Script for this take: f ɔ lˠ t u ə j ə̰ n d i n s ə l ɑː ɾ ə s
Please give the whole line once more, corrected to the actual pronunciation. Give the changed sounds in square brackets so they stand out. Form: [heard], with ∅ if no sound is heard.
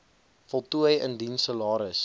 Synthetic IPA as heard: f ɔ lˠ t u ə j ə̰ n d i n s ə l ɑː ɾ ə s

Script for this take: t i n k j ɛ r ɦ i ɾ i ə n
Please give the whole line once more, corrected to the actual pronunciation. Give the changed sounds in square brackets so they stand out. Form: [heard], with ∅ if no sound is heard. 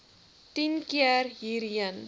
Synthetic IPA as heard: t i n k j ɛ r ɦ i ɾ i ə n

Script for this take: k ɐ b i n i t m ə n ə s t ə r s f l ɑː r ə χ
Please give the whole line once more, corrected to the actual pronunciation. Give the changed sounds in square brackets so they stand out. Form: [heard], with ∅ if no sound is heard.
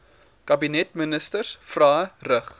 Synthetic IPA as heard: k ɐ b i n [ɛ] t m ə n ə s t ə r s f [r] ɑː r ə χ

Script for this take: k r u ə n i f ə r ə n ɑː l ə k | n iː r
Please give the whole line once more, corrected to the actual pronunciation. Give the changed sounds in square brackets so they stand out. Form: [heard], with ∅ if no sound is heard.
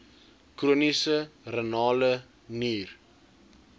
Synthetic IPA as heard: k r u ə n i [s] ə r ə n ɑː l ə [∅] | n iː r

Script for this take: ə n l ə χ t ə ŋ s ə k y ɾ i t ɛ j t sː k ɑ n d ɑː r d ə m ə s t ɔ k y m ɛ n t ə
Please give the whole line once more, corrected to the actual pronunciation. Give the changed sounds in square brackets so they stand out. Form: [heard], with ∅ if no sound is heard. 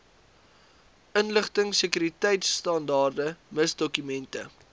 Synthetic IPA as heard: ə n l ə χ t ə ŋ s ə k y ɾ i t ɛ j t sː [t] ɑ n d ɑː r d ə m ə s [d] ɔ k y m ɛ n t ə

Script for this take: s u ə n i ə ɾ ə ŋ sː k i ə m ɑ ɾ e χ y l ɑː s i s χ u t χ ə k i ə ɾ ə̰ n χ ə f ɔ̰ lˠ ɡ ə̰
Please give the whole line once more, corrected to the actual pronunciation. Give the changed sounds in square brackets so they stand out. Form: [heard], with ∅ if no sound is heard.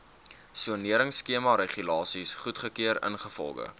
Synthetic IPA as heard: s u ə n i ə ɾ ə ŋ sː k i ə m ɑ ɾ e χ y l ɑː s i s χ u t χ ə k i ə ɾ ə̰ n χ ə f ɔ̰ lˠ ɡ ə̰

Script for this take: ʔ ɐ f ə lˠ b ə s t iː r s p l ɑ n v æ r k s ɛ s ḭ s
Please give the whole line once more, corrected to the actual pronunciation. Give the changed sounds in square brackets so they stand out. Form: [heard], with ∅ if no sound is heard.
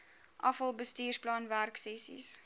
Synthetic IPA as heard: ʔ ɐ f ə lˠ b ə s t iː r s p l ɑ n v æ r k s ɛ s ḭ s

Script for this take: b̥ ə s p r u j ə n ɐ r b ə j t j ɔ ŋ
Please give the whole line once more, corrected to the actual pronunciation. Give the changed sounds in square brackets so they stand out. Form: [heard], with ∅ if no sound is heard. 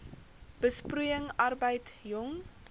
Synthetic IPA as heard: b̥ ə s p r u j ə [ŋ] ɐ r b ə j t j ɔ ŋ

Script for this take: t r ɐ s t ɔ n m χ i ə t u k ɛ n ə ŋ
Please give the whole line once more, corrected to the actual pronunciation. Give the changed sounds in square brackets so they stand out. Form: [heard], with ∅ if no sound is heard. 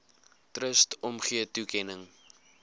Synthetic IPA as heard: t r [ə] s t ɔ [∅] m χ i ə t u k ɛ n ə ŋ

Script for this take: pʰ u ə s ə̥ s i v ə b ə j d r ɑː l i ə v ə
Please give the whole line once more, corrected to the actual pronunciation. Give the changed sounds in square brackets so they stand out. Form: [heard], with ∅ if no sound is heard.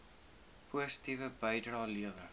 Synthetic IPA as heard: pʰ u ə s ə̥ [t] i v ə b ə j d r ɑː l i ə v ə

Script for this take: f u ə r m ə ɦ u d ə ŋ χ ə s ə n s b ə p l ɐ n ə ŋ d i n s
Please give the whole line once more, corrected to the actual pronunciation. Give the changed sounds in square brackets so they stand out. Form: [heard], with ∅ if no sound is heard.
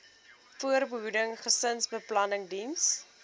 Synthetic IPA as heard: f u ə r [b] ə ɦ u d ə ŋ χ ə s ə n s b ə p l ɐ n ə ŋ d i n s

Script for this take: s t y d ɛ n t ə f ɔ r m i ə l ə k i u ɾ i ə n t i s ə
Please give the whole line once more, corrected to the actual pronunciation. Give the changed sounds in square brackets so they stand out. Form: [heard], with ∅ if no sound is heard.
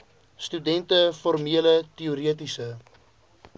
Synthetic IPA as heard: s t y d ɛ n t ə f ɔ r m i ə l ə [t] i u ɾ i ə [∅] t i s ə

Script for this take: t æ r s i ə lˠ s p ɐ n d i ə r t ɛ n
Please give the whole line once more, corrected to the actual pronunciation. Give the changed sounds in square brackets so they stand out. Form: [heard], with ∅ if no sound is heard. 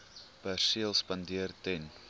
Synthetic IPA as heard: [p] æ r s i ə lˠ s p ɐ n d i ə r t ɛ n

